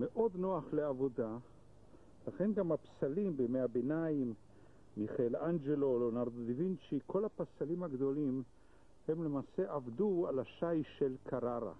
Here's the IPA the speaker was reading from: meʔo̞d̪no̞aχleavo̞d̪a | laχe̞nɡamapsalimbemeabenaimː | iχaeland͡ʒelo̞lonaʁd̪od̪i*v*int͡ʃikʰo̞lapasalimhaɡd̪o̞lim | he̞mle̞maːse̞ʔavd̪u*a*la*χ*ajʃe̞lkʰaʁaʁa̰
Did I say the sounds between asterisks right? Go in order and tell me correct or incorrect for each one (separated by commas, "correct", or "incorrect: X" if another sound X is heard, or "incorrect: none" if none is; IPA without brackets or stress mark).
correct, correct, incorrect: ʃ